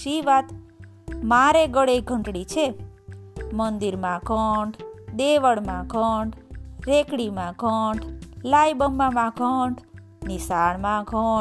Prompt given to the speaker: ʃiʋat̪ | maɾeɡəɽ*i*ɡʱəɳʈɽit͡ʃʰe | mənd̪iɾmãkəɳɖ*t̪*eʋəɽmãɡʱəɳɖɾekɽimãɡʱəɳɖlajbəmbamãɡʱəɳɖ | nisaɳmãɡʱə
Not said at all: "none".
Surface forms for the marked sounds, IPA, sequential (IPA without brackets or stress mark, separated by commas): e, d̪